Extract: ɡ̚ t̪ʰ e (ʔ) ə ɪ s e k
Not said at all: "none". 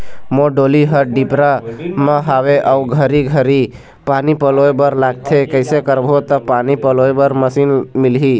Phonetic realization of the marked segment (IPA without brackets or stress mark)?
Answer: k